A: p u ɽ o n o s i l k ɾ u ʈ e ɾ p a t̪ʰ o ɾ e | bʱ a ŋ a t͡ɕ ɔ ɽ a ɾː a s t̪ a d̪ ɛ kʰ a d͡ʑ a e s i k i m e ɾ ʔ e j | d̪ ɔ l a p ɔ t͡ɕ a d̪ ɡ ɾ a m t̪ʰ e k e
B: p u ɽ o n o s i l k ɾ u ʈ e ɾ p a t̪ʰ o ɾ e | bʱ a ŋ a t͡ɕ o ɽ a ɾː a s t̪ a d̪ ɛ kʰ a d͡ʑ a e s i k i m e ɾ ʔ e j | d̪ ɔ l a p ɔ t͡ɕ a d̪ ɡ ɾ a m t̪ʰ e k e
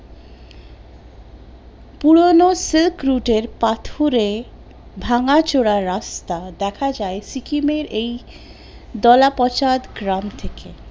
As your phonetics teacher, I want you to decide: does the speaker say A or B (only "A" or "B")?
B